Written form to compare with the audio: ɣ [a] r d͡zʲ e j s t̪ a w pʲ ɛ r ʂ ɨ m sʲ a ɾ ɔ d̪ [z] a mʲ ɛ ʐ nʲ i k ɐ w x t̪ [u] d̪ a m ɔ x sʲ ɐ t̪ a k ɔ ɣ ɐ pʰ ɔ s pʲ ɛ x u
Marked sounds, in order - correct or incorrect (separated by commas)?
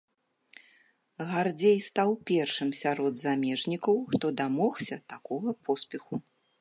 correct, correct, incorrect